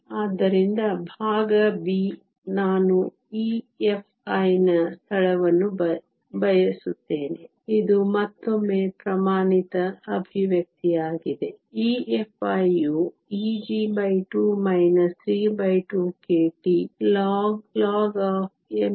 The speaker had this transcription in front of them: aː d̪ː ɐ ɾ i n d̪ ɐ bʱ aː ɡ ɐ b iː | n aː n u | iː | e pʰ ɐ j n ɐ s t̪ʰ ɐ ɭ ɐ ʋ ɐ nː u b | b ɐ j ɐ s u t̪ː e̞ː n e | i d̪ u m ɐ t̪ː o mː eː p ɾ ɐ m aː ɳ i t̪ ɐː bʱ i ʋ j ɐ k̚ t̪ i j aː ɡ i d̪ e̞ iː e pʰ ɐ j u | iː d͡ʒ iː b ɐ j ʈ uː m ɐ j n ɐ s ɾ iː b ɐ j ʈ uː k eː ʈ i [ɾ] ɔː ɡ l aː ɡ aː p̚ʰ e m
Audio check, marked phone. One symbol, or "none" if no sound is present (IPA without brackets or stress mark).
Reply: l